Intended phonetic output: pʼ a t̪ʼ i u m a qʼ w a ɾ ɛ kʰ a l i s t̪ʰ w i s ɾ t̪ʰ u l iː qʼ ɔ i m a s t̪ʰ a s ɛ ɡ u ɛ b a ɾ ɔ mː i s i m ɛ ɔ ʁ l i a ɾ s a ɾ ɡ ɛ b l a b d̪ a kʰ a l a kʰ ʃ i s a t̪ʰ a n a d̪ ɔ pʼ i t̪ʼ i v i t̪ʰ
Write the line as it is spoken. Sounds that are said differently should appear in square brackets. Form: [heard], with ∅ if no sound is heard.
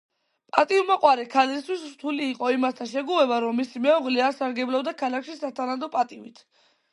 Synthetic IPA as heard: pʼ a t̪ʼ i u m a qʼ w a ɾ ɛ kʰ a l i s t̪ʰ w i s ɾ t̪ʰ u l iː qʼ ɔ i m a s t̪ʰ a [ʃ] ɛ ɡ u ɛ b a ɾ ɔ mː i s i m ɛ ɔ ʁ l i a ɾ s a ɾ ɡ ɛ b l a b d̪ a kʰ a l a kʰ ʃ i s a t̪ʰ a n a d̪ ɔ pʼ [a] t̪ʼ i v i t̪ʰ